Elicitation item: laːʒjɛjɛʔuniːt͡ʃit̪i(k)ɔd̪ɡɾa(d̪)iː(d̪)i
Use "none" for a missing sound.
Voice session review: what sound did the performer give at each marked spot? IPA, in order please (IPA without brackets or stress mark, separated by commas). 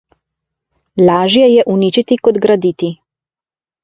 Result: k, d̪, t̪